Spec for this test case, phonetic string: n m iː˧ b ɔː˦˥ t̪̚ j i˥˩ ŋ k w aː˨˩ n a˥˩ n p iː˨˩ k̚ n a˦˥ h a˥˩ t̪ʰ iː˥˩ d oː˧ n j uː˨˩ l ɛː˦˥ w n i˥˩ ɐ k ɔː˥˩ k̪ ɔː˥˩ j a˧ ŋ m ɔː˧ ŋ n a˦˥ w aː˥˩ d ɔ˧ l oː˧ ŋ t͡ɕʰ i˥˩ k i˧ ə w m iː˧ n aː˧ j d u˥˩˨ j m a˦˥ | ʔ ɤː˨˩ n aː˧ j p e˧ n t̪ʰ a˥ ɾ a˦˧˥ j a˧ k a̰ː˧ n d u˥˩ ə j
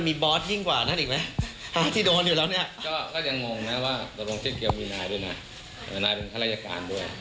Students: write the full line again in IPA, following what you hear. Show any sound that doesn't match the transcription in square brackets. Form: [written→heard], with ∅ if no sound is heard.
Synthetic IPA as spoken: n m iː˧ b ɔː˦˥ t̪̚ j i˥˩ ŋ k w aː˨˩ n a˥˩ n [p→ʔ] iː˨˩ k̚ [n→m] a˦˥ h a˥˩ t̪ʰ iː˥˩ d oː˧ n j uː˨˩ l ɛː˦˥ w n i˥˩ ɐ k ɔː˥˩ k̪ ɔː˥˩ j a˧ ŋ m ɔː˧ ŋ n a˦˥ w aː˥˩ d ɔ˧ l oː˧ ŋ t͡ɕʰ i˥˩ k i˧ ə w m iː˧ n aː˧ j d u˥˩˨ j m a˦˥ | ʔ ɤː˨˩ n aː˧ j p e˧ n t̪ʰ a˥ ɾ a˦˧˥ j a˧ k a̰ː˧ n d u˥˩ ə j